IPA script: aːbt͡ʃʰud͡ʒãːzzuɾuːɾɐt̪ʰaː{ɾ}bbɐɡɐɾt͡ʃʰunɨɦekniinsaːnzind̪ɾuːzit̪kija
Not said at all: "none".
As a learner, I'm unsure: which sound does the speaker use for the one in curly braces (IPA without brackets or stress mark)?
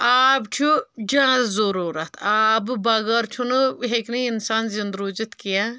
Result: none